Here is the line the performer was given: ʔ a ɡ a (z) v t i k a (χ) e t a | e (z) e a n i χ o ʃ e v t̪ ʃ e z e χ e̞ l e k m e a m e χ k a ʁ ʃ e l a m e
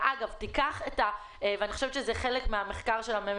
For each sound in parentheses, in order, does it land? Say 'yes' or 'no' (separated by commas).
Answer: no, yes, no